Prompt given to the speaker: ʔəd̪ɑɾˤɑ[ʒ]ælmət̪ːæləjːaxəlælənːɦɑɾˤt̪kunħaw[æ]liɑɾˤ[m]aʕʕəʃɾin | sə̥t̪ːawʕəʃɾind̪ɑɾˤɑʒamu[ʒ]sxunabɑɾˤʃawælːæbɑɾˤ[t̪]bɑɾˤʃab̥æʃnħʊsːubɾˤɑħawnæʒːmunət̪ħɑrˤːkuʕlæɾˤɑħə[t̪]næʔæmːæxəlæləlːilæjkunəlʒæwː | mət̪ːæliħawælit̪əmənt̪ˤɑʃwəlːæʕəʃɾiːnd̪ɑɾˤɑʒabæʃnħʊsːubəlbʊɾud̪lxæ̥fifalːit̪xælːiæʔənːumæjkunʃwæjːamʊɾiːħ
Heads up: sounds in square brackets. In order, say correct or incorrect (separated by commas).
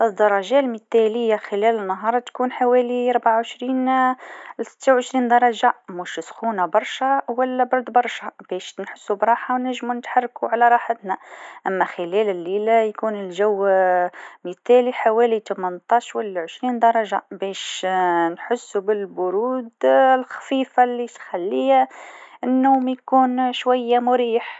correct, correct, incorrect, incorrect, incorrect, correct